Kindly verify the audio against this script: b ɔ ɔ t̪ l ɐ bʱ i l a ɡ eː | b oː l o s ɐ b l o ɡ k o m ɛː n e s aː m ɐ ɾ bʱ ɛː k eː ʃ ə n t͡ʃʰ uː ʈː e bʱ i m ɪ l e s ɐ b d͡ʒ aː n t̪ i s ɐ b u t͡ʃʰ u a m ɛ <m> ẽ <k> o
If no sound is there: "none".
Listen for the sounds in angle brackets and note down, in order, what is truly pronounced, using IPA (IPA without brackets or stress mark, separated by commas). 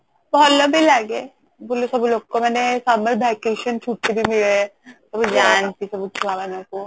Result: n, k